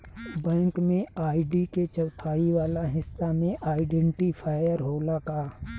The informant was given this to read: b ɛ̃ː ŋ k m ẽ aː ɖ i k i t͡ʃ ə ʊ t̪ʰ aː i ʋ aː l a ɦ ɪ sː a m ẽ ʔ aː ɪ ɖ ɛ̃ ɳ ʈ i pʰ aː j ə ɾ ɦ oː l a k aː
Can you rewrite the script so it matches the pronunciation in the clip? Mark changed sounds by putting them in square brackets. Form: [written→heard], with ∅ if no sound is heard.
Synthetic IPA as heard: b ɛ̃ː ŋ k m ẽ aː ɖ i k [i→e] t͡ʃ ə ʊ t̪ʰ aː i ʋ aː l a ɦ ɪ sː a m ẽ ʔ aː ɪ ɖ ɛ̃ ɳ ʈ i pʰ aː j ə ɾ ɦ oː l a k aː

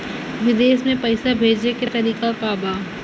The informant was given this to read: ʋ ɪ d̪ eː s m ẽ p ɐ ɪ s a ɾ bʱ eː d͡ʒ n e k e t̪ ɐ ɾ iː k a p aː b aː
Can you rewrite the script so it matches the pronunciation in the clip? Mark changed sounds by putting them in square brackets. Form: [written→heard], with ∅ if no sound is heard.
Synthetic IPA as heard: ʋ ɪ d̪ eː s m ẽ p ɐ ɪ s a [ɾ→∅] bʱ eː d͡ʒ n e k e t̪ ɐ ɾ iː k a p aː b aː

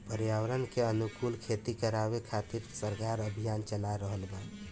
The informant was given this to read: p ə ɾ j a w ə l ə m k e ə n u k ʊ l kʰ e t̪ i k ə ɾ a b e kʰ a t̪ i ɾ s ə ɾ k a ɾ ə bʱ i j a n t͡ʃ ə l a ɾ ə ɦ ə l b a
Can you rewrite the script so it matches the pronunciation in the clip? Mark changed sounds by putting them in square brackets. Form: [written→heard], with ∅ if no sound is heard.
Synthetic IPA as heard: p ə ɾ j a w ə [l→ɾ] ə [m→n] k e ə n u k [ʊ→u] l kʰ e t̪ i k ə ɾ a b e kʰ a t̪ i ɾ s ə ɾ k a ɾ ə bʱ i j a n t͡ʃ ə l a ɾ ə ɦ ə l b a

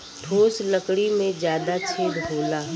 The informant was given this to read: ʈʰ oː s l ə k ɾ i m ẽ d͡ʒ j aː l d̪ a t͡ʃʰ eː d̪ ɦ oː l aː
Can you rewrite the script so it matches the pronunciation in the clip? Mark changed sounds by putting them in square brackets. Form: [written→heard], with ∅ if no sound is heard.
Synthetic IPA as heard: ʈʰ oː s l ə k [ɾ→ɽ] i m ẽ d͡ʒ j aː [l→∅] d̪ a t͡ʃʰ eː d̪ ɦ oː l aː

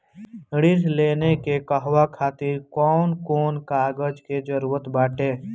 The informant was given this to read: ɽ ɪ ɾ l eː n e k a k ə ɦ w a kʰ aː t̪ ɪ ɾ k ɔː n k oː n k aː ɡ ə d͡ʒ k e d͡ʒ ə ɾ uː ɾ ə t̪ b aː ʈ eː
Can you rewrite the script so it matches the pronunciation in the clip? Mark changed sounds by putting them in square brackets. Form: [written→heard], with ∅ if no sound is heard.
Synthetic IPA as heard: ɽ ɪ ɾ l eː n e k [a→e] k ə ɦ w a kʰ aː t̪ ɪ ɾ k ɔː n k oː n k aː ɡ ə d͡ʒ k e d͡ʒ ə ɾ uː ɾ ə t̪ b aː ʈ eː

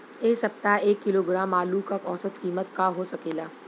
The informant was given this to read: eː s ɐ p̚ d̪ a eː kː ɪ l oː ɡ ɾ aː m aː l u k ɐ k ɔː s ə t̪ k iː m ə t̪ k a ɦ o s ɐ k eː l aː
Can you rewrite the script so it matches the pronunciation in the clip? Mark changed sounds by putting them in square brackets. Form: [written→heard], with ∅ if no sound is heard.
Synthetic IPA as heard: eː s ɐ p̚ [d̪→t̪] a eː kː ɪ l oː ɡ ɾ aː m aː l u k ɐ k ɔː s ə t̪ k iː m ə t̪ k a ɦ o s ɐ k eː l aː

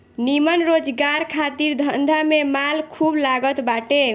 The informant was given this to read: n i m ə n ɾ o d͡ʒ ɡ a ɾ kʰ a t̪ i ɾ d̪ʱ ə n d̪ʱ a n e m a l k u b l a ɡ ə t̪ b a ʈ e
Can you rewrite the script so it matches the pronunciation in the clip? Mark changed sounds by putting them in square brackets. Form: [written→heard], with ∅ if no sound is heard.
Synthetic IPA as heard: n i m ə n ɾ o d͡ʒ ɡ a ɾ kʰ a t̪ i ɾ d̪ʱ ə n d̪ʱ a [n→m] e m a l [k→kʰ] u b l a ɡ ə t̪ b a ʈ e

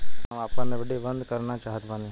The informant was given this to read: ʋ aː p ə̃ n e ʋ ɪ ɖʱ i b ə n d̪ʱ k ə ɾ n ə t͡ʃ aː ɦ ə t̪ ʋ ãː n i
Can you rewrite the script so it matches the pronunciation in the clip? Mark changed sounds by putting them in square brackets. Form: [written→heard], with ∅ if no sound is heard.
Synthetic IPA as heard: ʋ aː p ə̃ n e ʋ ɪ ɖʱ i b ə n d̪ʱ k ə ɾ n [ə→a] t͡ʃ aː ɦ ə t̪ ʋ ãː n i

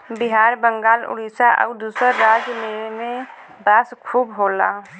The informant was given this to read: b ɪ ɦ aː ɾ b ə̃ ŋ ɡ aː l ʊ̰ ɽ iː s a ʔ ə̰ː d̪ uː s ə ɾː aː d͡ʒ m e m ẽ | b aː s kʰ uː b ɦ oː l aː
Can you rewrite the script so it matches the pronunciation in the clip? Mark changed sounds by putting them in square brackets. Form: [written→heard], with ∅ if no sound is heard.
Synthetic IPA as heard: b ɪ ɦ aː ɾ b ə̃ ŋ ɡ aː l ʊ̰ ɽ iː s a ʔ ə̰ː d̪ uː s ə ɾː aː d͡ʒ m e m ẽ | b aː s kʰ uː b ɦ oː l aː

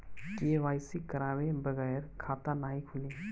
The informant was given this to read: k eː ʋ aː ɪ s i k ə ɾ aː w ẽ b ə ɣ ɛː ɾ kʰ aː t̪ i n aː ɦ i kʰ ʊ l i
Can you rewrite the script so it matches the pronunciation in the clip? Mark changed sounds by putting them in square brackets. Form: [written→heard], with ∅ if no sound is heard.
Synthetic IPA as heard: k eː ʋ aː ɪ s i k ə ɾ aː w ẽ b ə ɣ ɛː ɾ kʰ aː t̪ [i→a] n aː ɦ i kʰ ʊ l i

